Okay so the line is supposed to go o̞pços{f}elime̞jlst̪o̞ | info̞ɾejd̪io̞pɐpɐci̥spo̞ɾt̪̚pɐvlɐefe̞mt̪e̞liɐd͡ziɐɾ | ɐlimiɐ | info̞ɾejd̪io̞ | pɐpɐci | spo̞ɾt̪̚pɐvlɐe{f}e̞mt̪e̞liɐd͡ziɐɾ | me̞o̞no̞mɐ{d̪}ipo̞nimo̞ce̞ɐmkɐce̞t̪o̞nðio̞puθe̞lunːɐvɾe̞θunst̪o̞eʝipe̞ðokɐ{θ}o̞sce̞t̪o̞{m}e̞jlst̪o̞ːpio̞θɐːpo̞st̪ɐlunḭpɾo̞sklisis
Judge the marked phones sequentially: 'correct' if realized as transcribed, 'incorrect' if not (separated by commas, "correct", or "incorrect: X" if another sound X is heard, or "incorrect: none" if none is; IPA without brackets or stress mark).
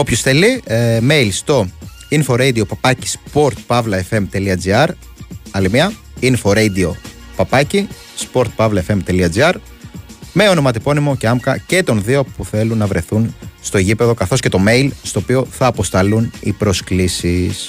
incorrect: θ, correct, incorrect: t̪, correct, correct